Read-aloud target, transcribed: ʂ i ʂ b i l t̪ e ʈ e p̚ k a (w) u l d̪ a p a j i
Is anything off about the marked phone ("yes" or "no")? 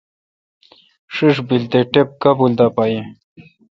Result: yes